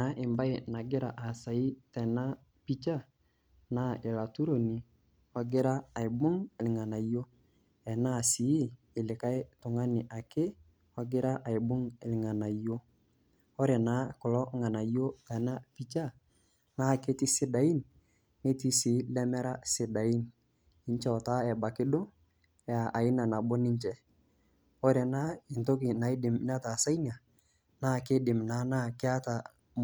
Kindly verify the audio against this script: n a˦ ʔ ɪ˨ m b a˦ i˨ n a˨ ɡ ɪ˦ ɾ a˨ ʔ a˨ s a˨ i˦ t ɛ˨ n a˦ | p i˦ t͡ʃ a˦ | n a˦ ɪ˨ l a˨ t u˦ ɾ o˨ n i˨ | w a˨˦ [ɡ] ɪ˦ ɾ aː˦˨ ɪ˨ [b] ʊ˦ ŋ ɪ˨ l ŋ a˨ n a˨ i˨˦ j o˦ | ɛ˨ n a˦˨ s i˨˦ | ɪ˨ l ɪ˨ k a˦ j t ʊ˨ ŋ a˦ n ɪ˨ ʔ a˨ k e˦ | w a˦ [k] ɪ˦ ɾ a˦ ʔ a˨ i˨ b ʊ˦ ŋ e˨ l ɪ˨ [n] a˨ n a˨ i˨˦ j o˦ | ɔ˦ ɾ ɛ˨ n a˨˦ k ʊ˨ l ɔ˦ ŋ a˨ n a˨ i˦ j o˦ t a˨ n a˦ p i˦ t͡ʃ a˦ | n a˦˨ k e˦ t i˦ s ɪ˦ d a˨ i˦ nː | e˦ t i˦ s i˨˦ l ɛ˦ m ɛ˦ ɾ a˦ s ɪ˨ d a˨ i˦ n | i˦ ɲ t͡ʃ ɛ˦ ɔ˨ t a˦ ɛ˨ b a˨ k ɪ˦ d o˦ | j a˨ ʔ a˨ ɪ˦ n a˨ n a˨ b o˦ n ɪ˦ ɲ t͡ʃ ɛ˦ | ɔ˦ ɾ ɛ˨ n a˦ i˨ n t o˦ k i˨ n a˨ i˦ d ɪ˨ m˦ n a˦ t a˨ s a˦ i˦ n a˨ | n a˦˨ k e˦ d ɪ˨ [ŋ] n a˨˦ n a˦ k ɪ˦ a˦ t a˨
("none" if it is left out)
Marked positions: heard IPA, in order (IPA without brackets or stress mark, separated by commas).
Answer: ɡ, b, ɡ, ŋ, m